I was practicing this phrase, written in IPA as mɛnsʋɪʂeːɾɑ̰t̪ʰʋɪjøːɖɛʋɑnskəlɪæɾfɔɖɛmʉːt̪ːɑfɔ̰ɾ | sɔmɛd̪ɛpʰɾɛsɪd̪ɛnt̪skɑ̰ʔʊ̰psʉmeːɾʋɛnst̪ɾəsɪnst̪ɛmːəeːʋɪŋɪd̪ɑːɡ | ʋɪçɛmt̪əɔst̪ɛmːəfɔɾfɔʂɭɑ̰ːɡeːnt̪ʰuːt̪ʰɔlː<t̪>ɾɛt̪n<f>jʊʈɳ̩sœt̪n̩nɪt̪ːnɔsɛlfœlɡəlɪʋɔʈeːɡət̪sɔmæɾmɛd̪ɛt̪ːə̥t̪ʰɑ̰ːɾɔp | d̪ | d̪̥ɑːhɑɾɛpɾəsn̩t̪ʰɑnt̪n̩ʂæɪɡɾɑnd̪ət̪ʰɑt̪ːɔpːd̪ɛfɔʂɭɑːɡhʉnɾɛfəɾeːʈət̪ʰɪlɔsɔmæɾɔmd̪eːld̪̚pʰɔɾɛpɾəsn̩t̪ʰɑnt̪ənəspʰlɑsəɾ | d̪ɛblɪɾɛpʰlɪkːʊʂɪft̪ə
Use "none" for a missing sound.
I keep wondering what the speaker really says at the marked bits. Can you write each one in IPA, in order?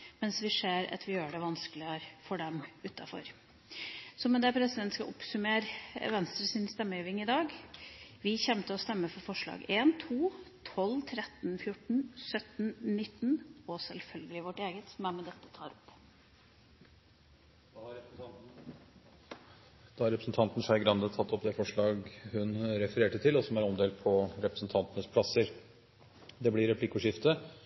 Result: t̪ʰ, f

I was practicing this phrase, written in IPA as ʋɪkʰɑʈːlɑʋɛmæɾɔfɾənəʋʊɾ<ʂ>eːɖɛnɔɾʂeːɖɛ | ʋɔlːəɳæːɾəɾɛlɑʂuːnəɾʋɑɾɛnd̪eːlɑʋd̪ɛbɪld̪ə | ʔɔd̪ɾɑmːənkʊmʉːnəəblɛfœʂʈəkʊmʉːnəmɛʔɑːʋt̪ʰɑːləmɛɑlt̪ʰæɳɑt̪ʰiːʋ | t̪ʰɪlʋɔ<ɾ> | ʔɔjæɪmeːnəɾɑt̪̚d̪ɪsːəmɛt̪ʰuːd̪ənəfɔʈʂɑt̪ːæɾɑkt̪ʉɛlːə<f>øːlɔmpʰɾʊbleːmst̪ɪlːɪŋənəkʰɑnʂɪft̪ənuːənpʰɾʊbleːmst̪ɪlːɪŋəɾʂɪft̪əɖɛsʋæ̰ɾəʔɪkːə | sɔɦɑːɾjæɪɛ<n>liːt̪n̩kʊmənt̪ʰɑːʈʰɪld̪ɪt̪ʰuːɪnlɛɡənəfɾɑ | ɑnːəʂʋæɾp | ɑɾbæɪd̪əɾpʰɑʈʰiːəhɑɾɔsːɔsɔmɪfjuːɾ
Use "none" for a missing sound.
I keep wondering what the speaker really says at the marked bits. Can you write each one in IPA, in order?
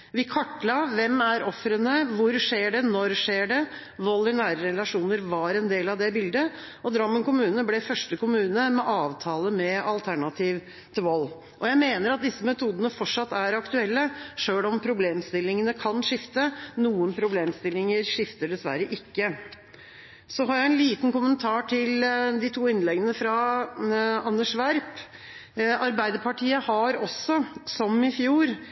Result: ʂ, l, ʂ, n

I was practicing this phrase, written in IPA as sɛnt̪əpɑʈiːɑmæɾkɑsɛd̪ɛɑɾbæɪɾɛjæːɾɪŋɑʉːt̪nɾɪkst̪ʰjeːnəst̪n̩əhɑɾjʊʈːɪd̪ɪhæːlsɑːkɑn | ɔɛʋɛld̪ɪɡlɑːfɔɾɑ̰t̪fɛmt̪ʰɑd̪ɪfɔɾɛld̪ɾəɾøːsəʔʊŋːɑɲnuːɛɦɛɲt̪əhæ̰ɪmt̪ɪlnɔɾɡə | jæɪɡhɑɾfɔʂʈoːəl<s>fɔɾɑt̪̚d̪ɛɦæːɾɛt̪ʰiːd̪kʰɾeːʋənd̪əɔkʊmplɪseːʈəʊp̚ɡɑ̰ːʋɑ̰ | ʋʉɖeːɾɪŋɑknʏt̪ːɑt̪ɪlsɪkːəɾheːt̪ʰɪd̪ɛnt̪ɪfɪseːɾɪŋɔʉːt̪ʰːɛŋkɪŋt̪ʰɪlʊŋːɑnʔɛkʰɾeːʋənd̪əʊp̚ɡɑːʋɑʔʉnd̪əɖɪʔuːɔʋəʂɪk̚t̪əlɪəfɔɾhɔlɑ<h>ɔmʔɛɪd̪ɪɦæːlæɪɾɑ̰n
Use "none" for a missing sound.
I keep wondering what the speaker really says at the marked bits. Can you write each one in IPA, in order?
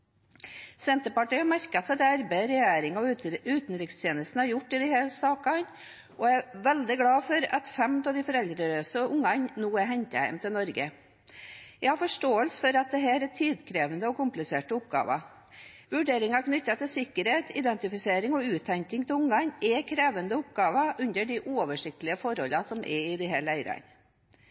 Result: s, s

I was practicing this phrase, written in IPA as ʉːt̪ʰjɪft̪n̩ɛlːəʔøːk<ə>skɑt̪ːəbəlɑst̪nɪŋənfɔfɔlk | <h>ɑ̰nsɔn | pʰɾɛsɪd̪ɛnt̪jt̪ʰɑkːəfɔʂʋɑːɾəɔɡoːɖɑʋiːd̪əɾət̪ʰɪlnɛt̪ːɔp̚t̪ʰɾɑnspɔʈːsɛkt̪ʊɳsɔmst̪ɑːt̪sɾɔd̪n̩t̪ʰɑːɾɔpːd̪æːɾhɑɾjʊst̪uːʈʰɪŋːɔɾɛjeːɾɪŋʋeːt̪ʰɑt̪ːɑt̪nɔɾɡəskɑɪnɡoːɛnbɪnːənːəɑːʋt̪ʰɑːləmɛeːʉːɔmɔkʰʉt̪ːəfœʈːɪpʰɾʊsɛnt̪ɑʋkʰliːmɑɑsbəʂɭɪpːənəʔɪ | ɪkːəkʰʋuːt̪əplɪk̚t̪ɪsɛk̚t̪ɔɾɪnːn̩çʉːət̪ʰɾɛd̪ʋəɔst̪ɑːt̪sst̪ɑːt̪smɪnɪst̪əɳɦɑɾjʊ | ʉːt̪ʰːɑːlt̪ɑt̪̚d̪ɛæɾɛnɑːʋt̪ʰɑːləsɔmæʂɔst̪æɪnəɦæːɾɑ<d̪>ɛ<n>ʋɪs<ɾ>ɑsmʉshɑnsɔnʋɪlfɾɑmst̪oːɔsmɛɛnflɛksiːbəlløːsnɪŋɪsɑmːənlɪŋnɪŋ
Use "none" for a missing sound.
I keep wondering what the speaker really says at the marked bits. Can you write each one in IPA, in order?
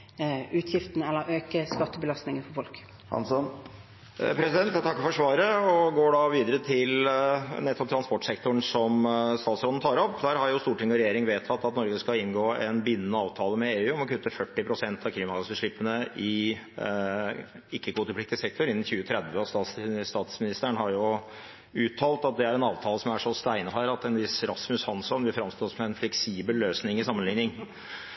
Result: ə, h, t̪, n, ɾ

